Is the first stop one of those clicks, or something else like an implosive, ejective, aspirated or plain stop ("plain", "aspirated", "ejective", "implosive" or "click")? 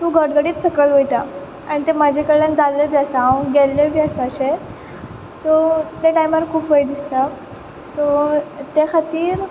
plain